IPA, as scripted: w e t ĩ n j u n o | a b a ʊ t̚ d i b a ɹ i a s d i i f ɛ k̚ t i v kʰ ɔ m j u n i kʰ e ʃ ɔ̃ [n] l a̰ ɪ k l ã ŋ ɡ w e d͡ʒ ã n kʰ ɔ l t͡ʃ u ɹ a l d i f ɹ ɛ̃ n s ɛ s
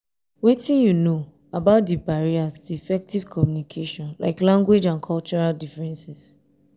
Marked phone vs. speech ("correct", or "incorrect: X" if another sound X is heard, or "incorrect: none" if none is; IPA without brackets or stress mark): correct